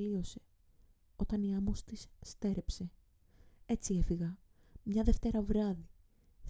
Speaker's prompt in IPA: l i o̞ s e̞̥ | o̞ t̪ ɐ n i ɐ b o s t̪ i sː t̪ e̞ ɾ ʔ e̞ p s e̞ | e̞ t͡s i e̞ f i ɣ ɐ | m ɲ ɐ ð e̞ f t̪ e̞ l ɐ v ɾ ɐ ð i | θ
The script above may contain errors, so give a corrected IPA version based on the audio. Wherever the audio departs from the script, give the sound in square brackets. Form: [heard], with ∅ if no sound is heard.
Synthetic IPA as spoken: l i o̞ s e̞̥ | o̞ t̪ ɐ n i ɐ [m] o s t̪ i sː t̪ e̞ ɾ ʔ e̞ p s e̞ | e̞ t͡s i e̞ f i ɣ ɐ | m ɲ ɐ ð e̞ f t̪ e̞ [ɾ] ɐ v ɾ ɐ ð i | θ